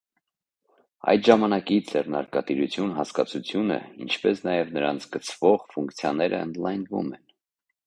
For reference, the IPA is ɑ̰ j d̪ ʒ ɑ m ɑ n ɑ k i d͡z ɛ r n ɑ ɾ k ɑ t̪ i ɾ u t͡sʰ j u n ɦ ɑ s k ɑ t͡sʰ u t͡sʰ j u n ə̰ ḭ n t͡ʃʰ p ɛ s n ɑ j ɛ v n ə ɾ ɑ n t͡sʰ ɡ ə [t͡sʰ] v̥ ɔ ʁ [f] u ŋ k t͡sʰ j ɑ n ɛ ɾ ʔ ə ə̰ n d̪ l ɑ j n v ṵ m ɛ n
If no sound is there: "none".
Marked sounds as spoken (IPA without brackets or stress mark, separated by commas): t͡sʰ, f